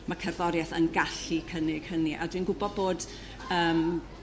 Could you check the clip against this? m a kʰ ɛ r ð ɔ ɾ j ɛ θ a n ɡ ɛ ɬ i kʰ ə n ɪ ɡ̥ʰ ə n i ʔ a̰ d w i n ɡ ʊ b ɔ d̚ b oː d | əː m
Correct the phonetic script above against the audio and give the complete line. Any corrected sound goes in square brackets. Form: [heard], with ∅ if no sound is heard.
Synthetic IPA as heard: m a kʰ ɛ r ð ɔ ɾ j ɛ θ [ə] n ɡ [a] ɬ i kʰ ə n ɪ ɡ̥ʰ ə n i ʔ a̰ d w i n ɡ ʊ b ɔ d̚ b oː d | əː m